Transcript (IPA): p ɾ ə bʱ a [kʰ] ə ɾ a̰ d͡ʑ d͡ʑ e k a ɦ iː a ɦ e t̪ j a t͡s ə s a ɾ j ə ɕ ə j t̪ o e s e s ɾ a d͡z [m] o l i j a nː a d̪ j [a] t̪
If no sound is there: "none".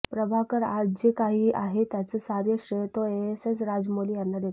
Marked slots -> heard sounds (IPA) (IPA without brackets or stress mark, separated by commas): k, m, e